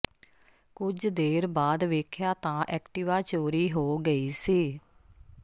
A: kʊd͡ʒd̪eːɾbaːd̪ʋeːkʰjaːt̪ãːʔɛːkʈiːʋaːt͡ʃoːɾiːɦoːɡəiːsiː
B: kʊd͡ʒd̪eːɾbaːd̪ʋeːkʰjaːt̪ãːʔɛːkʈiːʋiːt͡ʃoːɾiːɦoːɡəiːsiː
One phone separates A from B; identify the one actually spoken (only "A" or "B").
A